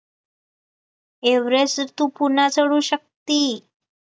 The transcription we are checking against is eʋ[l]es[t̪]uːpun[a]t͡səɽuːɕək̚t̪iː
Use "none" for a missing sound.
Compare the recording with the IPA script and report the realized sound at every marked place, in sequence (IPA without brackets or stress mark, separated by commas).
ɾ, t̪, a